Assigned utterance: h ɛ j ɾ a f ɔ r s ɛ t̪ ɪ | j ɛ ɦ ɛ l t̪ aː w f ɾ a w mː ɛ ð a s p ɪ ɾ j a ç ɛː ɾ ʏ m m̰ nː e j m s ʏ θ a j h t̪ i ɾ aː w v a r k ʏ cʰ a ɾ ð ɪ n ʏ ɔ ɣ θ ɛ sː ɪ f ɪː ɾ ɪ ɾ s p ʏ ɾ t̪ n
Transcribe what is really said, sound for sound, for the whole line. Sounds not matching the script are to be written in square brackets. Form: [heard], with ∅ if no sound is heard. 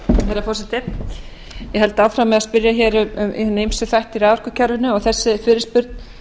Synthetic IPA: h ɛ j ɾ a f ɔ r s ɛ t̪ ɪ | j ɛ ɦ ɛ l t̪ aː w f ɾ a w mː ɛ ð a s p ɪ ɾ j a ç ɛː ɾ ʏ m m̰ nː e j m s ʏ θ a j h t̪ i ɾ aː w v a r k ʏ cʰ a ɾ [v] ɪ n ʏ ɔ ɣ θ ɛ sː ɪ f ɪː ɾ ɪ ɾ s p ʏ ɾ t̪ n